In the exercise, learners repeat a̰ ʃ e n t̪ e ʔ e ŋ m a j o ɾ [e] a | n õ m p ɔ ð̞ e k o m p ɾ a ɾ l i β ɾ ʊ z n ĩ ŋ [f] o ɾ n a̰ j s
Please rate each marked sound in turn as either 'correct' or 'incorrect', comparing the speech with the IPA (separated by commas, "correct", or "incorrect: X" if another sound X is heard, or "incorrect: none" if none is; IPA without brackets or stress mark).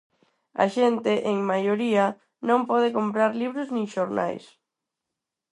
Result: incorrect: i, incorrect: ʃ